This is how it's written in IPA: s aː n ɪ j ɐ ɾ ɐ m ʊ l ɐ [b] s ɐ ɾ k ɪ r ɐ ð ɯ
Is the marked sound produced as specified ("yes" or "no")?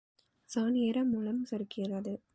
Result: no